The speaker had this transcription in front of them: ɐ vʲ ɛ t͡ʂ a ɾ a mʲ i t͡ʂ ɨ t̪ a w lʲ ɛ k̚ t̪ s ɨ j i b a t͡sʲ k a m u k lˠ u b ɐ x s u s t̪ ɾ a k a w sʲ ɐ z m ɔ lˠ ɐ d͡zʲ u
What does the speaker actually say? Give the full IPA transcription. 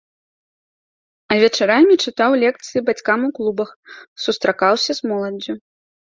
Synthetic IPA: ɐ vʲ ɛ t͡ʂ a ɾ a mʲ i t͡ʂ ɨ t̪ a w lʲ ɛ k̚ t̪ s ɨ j i b a t͡sʲ k a m u k lˠ u b ɐ x s u s t̪ ɾ a k a w sʲ ɐ z m ɔ lˠ ɐ d͡zʲ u